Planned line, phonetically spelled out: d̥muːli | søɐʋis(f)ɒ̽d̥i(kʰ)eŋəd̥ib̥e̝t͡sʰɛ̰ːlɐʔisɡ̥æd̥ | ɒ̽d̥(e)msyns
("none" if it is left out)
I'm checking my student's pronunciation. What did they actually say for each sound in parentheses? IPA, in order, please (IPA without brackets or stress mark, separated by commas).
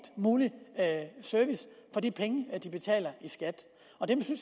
f, pʰ, e